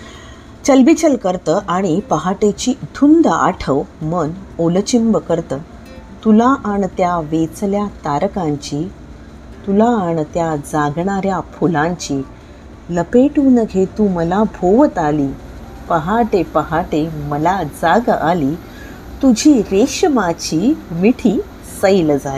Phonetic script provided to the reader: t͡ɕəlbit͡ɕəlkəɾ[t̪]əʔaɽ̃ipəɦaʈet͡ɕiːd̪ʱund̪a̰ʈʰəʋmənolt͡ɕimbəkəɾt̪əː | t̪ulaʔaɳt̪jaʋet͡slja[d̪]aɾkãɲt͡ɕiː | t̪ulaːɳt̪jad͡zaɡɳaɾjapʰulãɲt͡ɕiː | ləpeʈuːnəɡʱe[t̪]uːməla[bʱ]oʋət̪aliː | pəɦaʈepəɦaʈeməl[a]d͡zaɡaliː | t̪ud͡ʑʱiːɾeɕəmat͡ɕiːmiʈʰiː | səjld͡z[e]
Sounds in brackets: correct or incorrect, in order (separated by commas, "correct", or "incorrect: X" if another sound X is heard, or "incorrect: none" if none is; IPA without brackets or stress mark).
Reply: correct, incorrect: t̪, correct, correct, correct, incorrect: a